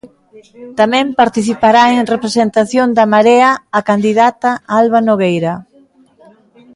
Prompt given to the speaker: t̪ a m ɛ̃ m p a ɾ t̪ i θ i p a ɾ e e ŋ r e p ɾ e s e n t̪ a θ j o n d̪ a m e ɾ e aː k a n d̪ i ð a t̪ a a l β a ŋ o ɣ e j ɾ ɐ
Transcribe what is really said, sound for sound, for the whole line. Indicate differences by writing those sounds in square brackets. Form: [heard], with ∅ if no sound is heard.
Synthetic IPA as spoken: t̪ a m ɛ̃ m p a ɾ t̪ i θ i p a ɾ [a] e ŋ r e p ɾ e s e n t̪ a θ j o n d̪ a m [a] ɾ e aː k a n d̪ i ð a t̪ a a l β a [n] o ɣ e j ɾ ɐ